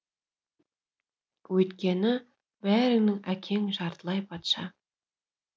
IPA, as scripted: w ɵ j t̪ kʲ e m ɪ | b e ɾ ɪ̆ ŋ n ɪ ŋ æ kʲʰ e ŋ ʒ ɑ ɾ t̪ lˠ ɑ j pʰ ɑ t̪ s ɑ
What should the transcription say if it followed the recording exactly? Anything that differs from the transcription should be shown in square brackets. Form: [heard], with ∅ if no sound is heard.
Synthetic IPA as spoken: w ɵ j t̪ kʲ e [n] ɪ | b [æ] ɾ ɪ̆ ŋ n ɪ ŋ æ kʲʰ e ŋ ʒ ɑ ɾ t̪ lˠ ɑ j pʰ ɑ t̪ [ʃ] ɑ

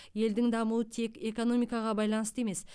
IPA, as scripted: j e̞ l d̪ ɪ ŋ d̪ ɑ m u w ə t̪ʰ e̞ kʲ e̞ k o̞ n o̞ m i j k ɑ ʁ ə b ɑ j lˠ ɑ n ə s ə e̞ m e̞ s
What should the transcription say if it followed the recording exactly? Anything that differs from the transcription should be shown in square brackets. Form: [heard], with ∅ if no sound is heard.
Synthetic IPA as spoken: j e̞ l d̪ ɪ ŋ d̪ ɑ m u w ə t̪ʰ e̞ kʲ e̞ k o̞ n o̞ m i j k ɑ ʁ [ɑ] b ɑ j lˠ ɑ n ə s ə e̞ m e̞ s

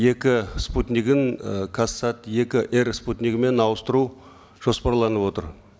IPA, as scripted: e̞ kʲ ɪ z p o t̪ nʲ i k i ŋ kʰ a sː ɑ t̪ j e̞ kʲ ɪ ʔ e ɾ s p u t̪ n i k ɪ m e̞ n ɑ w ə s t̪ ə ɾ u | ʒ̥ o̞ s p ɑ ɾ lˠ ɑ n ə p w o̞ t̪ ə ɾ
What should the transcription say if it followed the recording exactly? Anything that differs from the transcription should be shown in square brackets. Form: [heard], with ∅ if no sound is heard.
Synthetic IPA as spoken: e̞ kʲ ɪ [s] p [u] t̪ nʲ i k [ɪ] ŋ kʰ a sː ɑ t̪ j e̞ kʲ ɪ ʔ e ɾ s p u t̪ n i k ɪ m e̞ n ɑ w ə s t̪ ə ɾ u | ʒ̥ o̞ s p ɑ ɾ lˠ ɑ n ə p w o̞ t̪ ə ɾ

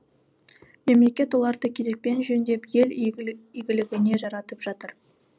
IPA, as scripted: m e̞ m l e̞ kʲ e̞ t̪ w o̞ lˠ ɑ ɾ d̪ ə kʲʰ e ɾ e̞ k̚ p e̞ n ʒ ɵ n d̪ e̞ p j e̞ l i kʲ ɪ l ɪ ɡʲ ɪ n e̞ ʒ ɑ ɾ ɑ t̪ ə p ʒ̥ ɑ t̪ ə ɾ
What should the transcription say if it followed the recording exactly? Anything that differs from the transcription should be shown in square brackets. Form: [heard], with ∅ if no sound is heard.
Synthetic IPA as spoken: m e̞ m l e̞ kʲ e̞ t̪ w o̞ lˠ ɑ ɾ d̪ ə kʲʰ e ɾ e̞ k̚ p e̞ n ʒ ɵ n d̪ e̞ p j e̞ l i [ɡʲ] ɪ l ɪ ɡʲ ɪ n e̞ ʒ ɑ ɾ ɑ t̪ ə p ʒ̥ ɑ t̪ ə ɾ

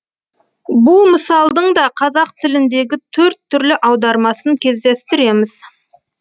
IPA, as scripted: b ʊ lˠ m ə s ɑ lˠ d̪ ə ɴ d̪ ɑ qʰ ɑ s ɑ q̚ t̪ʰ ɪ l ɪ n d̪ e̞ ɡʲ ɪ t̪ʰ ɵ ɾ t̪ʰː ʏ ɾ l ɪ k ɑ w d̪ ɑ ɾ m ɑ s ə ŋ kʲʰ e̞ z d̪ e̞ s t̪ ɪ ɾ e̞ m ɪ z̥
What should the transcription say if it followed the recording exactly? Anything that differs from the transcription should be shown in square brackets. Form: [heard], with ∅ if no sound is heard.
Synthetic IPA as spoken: b ʊ lˠ m ə s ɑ lˠ d̪ ə ɴ d̪ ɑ qʰ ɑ [z] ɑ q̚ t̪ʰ ɪ l ɪ n d̪ e̞ ɡʲ ɪ t̪ʰ ɵ ɾ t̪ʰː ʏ ɾ l ɪ [ʔ] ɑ w d̪ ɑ ɾ m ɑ s ə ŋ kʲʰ e̞ z d̪ e̞ s t̪ ɪ ɾ e̞ m ɪ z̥

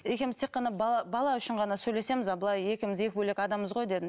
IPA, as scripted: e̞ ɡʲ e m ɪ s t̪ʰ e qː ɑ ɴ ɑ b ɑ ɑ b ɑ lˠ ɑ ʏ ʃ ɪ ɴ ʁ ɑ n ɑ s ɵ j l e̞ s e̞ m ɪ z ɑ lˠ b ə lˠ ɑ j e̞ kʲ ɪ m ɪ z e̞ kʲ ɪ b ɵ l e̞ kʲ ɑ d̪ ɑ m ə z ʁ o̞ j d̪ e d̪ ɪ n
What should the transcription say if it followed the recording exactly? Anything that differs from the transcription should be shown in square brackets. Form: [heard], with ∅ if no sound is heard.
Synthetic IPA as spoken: e̞ [kʲ] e m ɪ [z] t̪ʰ e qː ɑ [n] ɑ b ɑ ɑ b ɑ lˠ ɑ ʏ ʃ ɪ ɴ ʁ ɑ n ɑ s ɵ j l e̞ s e̞ m ɪ z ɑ [∅] b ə lˠ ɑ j e̞ kʲ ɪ m ɪ z e̞ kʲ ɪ b ɵ l e̞ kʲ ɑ d̪ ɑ m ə z ʁ o̞ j d̪ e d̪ ɪ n

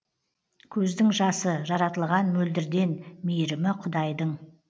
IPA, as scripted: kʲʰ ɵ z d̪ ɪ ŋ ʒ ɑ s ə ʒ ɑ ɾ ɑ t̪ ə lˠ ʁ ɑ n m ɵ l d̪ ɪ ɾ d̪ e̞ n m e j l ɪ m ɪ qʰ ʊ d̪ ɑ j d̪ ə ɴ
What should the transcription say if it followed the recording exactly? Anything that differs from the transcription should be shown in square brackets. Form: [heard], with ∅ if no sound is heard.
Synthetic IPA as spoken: kʲʰ ɵ z d̪ ɪ ŋ ʒ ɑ s ə ʒ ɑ ɾ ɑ t̪ ə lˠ ʁ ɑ n m ɵ l d̪ ɪ ɾ d̪ e̞ n m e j [ɾ] ɪ m ɪ qʰ ʊ d̪ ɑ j d̪ ə ɴ

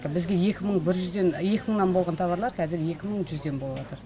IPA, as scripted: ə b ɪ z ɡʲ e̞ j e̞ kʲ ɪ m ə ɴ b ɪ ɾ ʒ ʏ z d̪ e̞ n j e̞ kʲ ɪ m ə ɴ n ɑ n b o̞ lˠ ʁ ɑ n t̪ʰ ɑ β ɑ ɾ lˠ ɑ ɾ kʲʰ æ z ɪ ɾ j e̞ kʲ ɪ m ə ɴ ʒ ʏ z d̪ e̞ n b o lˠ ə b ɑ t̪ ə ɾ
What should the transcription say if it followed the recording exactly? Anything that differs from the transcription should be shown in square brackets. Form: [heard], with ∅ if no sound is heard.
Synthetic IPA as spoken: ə b ɪ z ɡʲ e̞ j e̞ kʲ ɪ m ə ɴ b ɪ ɾ ʒ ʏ z d̪ e̞ n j e̞ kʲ ɪ m ə ɴ n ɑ n b o̞ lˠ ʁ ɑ n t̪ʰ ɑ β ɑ ɾ lˠ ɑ ɾ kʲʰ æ z ɪ ɾ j e̞ kʲ ɪ m ə ɴ ʒ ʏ z d̪ e̞ n b o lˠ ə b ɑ t̪ ə ɾ

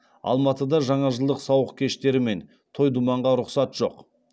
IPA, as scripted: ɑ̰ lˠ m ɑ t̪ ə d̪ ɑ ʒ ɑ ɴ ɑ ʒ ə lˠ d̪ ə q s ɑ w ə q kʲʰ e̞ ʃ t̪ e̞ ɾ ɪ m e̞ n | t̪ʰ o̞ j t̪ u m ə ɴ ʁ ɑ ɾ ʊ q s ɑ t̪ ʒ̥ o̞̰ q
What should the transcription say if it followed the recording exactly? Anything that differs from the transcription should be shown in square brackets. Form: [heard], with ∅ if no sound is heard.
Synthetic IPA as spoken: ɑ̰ lˠ m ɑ t̪ ə d̪ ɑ ʒ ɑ ɴ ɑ ʒ ə lˠ d̪ ə q s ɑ w ə q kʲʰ e̞ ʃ t̪ e̞ ɾ ɪ m e̞ n | t̪ʰ o̞ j [d̪] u m [ɑ] ɴ ʁ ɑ ɾ ʊ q s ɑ t̪ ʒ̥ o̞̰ q

